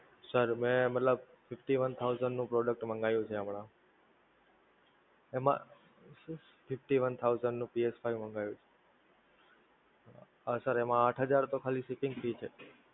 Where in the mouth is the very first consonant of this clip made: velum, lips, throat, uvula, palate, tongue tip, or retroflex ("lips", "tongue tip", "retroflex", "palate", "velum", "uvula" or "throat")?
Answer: tongue tip